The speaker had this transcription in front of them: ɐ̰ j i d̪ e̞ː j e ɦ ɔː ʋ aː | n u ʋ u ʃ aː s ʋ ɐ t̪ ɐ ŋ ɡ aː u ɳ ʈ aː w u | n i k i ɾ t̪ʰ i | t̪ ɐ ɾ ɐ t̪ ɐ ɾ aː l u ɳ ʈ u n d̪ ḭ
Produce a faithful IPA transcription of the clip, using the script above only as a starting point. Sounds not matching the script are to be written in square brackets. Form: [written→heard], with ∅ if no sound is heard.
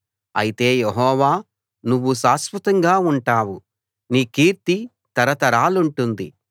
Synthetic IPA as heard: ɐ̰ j i [d̪→t̪] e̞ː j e ɦ ɔː ʋ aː | n u [ʋ→ʋː] u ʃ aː s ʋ ɐ t̪ ɐ ŋ ɡ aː u ɳ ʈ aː w u | n [i→iː] k [i→iː] ɾ [t̪ʰ→t̪] i | t̪ ɐ ɾ ɐ t̪ ɐ ɾ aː l u ɳ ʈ u n d̪ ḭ